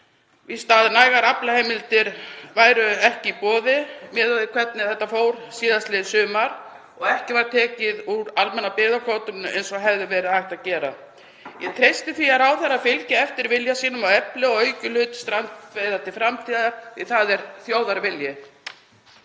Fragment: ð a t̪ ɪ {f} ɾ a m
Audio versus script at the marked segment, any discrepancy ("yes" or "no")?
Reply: no